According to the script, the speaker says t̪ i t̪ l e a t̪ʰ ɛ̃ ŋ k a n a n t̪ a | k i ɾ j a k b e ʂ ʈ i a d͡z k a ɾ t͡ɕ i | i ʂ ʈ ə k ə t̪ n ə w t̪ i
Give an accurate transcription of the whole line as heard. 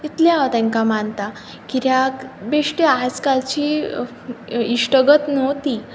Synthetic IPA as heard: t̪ i t̪ l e a t̪ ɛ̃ ŋ k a m a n t̪ a | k i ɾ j a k b e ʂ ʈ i a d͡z k a l t͡ɕ i | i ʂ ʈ ə ɡ ə t̪ n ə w t̪ i